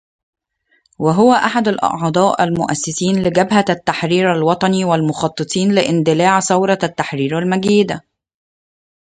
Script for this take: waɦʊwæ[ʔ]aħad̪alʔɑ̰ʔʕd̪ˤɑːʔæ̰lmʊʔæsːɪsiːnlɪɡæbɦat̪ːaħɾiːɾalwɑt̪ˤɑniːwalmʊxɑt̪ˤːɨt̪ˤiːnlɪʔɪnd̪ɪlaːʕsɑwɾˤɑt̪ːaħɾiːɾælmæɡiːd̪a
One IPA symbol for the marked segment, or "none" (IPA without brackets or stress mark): ʔ